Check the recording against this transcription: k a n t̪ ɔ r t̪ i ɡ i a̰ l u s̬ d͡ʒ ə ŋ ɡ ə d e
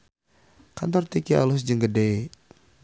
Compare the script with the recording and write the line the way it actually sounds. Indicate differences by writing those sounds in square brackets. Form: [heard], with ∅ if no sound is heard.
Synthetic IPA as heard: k a n t̪ ɔ r t̪ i [k] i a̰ l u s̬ d͡ʒ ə ŋ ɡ ə d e